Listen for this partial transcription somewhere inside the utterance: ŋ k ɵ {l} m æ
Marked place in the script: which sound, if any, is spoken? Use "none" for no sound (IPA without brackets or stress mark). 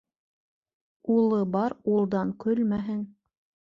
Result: l